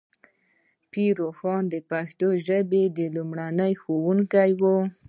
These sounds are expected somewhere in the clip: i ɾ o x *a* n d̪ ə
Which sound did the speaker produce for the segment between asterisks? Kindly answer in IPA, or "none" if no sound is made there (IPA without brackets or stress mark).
ɑ